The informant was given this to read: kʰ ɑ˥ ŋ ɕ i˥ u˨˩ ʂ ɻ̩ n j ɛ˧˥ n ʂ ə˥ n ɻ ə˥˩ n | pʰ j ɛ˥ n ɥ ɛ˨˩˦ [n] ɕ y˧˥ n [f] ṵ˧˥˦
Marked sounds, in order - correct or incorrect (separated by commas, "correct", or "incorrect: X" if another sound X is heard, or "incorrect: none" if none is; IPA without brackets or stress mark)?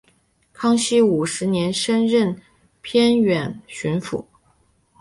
correct, correct